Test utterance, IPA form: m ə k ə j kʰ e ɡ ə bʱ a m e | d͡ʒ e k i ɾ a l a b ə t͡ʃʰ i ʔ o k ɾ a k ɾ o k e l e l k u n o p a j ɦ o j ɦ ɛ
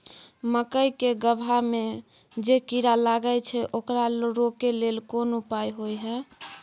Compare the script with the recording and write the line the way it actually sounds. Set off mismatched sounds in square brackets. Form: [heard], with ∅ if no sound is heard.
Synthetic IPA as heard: m ə k ə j [k] e ɡ ə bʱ a m e | d͡ʒ e k i ɾ a l a [ɡ] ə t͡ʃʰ [ɛ] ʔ o k ɾ a [∅] ɾ o k e l e l k [o] n [u] p a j ɦ o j ɦ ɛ